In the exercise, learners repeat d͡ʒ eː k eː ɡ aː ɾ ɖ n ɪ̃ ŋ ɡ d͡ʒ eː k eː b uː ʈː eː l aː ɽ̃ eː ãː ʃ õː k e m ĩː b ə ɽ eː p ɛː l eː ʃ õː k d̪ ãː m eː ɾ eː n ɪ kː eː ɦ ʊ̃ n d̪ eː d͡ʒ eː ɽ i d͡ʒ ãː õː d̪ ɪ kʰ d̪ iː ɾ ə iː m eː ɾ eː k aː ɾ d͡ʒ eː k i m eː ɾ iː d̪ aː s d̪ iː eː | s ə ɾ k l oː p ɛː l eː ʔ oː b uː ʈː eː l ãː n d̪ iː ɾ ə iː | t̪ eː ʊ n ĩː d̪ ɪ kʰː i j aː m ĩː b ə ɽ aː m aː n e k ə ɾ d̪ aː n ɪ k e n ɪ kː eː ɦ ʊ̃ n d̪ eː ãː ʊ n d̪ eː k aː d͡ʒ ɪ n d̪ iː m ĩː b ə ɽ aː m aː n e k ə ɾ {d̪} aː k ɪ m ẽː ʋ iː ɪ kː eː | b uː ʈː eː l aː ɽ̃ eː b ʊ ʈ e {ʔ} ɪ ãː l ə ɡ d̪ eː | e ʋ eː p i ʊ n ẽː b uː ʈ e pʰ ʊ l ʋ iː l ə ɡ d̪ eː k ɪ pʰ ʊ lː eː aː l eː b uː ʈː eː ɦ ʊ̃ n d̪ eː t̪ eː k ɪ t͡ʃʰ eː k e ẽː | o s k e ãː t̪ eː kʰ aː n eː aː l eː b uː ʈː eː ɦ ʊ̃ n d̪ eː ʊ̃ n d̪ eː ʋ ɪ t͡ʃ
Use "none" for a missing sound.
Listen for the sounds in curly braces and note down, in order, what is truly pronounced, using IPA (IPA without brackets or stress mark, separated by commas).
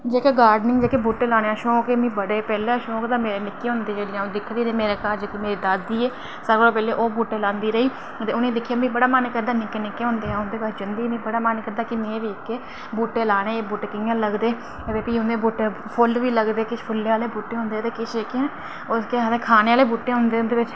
d̪, k